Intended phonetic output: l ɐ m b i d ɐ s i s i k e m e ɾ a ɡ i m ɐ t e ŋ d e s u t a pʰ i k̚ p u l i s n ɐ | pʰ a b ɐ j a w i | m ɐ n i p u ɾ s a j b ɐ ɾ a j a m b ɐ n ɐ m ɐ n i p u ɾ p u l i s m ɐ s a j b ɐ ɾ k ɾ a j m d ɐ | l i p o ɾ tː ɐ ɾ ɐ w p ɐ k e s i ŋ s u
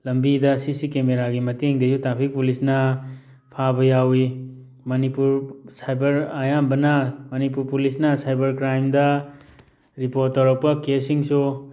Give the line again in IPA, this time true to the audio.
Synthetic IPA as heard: l ɐ m b i d ɐ s i s i k e m e ɾ a ɡ i m ɐ t e ŋ d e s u t a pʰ i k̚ p u l i s n ɐ | pʰ a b ɐ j a w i | m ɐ n i p u ɾ s a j b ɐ ɾ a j a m b ɐ n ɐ m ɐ n i p u ɾ p u l i s n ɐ s a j b ɐ ɾ k ɾ a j m d ɐ | ɾ i p o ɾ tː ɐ ɾ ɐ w p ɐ k e s i ŋ s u